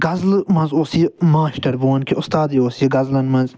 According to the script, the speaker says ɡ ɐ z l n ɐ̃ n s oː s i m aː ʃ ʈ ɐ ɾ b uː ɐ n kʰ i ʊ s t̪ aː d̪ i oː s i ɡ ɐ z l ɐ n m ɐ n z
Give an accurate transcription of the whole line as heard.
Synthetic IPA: ɡ ɐ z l m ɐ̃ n z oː s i m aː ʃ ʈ ɐ ɾ b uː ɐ n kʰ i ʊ s t̪ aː d̪ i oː s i ɡ ɐ z l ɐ n m ɐ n z